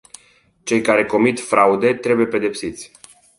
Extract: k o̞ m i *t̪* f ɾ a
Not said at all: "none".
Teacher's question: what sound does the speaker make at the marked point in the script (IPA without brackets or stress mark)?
t̪